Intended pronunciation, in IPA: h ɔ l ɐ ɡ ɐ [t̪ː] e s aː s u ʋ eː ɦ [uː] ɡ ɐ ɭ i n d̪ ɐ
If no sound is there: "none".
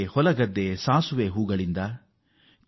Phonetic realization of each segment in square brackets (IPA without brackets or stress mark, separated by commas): d̪ː, uː